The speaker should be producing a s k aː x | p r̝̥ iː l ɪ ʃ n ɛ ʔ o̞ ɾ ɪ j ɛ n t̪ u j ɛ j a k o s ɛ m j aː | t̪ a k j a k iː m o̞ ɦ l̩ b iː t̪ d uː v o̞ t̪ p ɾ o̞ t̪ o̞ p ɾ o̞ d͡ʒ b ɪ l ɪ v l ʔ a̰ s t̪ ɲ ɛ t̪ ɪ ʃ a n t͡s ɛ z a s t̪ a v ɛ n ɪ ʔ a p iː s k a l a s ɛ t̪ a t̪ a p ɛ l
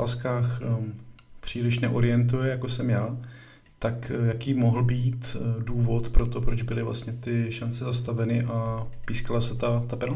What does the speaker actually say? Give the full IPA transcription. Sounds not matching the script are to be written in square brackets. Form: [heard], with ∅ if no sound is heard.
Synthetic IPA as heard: a s k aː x | p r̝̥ iː l ɪ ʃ n ɛ ʔ o̞ ɾ ɪ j ɛ n t̪ u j ɛ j a k o s ɛ m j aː | t̪ a k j a k iː m o̞ ɦ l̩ b iː t̪ d uː v o̞ t̪ p ɾ o̞ t̪ o̞ p ɾ o̞ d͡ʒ b ɪ l ɪ v l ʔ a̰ s t̪ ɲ ɛ t̪ ɪ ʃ a n t͡s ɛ z a s t̪ a v ɛ n ɪ ʔ a p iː s k a l a s ɛ t̪ a t̪ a p ɛ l